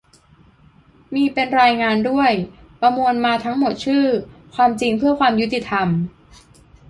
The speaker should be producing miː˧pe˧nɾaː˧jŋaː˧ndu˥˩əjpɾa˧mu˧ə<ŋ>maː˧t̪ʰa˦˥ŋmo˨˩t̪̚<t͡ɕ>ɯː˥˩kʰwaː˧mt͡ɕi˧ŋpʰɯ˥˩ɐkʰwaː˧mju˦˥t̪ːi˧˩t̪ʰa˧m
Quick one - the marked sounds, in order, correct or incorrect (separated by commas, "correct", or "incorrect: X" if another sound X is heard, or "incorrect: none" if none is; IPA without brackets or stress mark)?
incorrect: n, incorrect: t͡ɕʰ